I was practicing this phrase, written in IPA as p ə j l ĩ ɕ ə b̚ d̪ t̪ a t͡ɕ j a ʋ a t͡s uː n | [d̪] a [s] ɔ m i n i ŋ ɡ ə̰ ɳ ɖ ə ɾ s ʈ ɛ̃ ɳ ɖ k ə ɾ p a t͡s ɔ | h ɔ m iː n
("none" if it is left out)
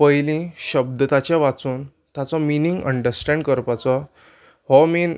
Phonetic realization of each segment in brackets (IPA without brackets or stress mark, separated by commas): t̪, t͡s